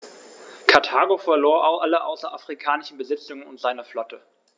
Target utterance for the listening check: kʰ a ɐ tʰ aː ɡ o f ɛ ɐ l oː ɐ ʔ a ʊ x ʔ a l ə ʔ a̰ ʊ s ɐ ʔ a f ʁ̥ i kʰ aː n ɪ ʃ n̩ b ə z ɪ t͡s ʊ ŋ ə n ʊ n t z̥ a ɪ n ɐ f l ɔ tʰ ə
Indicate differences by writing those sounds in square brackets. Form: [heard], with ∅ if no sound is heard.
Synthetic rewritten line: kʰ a ɐ tʰ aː ɡ o f ɛ ɐ l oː ɐ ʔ a ʊ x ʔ a l ə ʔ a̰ ʊ s ɐ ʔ a f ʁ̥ i kʰ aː n ɪ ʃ n̩ b ə z ɪ t͡s ʊ ŋ ə n ʊ n t z̥ a ɪ n ɐ f l ɔ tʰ ə

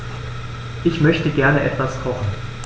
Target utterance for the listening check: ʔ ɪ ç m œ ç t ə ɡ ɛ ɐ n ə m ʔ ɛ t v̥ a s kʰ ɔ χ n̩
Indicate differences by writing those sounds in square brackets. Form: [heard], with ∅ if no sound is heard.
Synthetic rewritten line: ʔ ɪ ç m œ ç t ə ɡ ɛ ɐ n ə [∅] ʔ ɛ t v̥ a s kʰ ɔ χ n̩

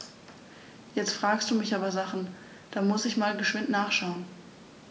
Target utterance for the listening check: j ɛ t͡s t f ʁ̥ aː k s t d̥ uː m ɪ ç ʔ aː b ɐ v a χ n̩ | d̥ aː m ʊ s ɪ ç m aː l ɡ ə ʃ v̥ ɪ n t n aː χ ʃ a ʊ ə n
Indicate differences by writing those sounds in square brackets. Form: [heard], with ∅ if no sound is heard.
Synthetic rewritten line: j ɛ t͡s t f ʁ̥ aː k s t d̥ uː m ɪ ç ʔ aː b ɐ [z] a χ n̩ | d̥ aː m ʊ s ɪ ç m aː l ɡ ə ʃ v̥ ɪ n t n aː χ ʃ a ʊ ə n

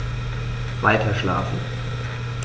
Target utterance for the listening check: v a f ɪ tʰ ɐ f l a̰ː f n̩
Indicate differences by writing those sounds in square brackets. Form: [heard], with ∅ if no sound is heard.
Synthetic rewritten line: v a [∅] ɪ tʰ ɐ [ʃ] l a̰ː f n̩

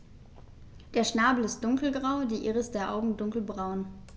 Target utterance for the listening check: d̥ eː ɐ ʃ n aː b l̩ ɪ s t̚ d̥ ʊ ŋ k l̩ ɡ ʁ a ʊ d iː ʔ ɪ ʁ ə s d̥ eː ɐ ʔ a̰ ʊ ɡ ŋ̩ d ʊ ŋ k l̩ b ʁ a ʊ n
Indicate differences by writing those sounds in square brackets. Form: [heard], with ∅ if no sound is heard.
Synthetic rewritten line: d̥ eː ɐ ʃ n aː b l̩ ɪ s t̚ d̥ ʊ ŋ k l̩ ɡ ʁ a ʊ d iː ʔ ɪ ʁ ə s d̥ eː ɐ ʔ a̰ ʊ ɡ ŋ̩ d ʊ ŋ k l̩ b ʁ a ʊ n

